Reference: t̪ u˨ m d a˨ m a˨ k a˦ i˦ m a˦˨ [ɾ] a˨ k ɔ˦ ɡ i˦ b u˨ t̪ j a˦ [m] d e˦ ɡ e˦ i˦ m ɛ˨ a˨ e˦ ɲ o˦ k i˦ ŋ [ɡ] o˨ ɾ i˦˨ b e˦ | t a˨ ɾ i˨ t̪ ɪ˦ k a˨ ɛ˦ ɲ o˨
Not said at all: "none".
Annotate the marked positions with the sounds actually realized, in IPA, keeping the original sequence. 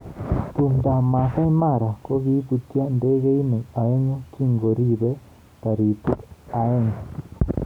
ɾ, n, ɡ

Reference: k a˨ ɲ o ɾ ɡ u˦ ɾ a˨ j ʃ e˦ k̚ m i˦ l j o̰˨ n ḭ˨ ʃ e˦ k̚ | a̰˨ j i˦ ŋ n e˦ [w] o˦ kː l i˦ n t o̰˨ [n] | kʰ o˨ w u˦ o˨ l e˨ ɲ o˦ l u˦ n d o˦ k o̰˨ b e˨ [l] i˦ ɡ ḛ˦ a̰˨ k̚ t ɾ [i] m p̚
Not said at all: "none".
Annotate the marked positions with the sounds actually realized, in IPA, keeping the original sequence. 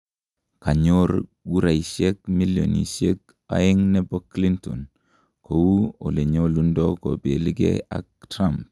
b, n, l, a

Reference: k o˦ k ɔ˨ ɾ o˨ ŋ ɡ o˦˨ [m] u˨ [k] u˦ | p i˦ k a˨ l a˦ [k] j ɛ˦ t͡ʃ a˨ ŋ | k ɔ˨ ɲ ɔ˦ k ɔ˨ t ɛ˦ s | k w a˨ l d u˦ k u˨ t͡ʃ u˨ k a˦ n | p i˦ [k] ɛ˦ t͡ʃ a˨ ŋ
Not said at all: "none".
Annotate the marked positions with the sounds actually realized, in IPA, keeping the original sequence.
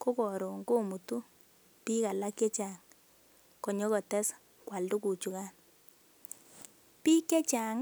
m, t, k, k

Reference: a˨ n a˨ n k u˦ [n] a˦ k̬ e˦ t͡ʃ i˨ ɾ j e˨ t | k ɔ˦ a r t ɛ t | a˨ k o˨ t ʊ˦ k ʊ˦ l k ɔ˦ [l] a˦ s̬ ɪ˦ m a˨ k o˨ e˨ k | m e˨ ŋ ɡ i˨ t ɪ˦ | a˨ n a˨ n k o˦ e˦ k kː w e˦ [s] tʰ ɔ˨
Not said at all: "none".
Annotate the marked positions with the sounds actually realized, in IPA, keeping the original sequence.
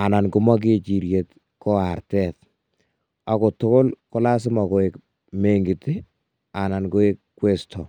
m, l, s

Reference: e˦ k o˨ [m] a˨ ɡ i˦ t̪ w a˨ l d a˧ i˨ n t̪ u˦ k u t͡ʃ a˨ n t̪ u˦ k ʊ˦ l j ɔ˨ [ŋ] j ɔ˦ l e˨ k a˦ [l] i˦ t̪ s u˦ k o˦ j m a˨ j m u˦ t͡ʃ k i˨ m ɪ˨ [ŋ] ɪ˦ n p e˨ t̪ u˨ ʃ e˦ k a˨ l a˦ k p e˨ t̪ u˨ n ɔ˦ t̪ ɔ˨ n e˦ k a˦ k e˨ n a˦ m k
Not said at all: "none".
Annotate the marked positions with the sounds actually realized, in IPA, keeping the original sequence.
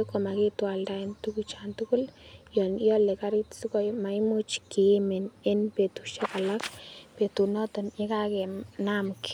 m, n, ɾ, n

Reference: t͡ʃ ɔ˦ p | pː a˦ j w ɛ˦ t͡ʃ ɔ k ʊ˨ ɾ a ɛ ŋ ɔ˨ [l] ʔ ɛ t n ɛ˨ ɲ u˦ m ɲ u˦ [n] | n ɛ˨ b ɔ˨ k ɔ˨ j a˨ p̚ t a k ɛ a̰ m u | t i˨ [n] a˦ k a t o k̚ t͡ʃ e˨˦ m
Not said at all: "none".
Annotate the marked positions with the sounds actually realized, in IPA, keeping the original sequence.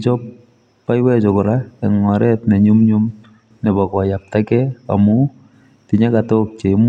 ɾ, m, ɲ

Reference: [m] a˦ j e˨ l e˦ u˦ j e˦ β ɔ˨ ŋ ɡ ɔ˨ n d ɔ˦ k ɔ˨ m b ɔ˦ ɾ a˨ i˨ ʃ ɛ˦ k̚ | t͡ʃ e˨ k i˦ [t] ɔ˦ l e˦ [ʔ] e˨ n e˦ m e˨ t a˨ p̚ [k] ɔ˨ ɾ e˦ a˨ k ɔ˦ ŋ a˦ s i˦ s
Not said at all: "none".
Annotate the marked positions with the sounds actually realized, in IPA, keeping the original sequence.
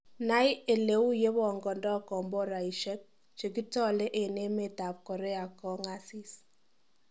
n, t, ʔ, k

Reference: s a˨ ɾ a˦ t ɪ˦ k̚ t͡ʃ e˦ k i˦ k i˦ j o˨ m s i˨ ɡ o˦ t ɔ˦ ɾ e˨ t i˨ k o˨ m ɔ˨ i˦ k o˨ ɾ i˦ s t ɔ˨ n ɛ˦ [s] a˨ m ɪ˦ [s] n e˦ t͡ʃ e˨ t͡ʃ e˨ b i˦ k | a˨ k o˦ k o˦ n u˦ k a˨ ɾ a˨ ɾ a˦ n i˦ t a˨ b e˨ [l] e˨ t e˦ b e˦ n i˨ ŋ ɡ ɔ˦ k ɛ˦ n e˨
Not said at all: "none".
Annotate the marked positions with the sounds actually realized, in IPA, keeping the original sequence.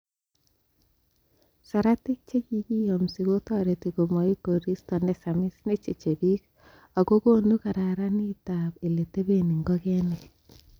s, s, l

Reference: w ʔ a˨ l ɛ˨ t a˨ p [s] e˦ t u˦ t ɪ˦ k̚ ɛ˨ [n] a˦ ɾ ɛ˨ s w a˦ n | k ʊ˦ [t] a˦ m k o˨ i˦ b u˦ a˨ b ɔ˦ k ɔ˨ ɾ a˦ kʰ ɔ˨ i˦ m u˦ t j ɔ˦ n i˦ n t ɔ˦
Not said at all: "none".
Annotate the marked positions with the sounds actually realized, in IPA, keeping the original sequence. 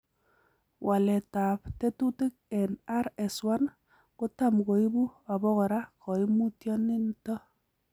t, n, t

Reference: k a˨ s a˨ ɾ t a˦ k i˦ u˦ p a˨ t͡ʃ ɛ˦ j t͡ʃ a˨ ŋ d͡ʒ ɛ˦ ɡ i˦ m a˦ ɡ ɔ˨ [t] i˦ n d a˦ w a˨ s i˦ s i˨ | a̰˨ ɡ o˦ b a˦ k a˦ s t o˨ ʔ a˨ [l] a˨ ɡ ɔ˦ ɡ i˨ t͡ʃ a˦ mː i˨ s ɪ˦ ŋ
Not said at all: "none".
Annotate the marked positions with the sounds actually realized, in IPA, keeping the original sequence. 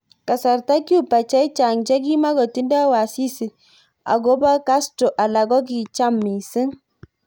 t, l

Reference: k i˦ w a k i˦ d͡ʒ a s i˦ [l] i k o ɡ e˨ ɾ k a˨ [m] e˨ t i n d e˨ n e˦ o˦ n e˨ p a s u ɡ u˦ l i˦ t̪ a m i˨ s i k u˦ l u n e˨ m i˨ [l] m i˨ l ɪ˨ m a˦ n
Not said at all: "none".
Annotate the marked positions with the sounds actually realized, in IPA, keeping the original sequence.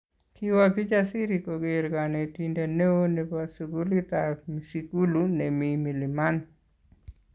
ɾ, n, none

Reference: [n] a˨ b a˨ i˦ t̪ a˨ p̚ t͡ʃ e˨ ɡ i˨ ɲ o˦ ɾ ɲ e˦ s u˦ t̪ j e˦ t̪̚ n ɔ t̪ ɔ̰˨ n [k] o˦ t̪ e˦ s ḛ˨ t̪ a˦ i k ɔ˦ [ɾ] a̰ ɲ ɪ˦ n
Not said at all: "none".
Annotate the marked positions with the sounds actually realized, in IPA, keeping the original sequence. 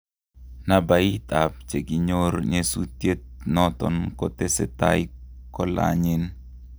n, k, l

